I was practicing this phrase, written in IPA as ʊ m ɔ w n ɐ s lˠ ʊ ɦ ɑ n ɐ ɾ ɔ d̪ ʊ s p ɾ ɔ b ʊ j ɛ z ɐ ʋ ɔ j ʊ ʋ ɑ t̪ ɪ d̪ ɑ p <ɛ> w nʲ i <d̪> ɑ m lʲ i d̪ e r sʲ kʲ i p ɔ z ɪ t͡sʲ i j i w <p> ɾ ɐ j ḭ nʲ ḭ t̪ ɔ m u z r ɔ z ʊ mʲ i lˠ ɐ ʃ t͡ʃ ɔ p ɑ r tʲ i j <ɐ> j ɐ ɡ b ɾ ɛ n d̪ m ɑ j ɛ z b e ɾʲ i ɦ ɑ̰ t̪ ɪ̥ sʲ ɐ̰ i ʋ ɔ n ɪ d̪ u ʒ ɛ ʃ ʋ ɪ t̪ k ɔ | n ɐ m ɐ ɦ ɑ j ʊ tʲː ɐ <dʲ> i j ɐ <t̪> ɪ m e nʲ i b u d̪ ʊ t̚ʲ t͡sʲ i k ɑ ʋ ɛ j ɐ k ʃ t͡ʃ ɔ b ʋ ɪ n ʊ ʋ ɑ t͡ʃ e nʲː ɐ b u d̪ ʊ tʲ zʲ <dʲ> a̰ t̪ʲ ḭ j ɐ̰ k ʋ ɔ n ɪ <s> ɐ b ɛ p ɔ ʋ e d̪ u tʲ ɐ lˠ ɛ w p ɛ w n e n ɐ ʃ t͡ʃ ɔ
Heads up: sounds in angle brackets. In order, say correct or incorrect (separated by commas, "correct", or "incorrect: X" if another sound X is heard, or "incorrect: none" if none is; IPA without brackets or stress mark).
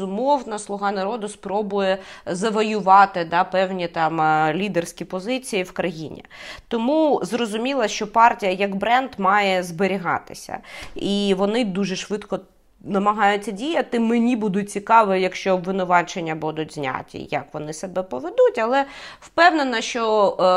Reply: correct, incorrect: t̪, incorrect: k, correct, correct, correct, incorrect: nʲ, correct